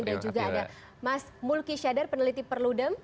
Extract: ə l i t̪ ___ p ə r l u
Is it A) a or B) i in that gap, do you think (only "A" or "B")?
B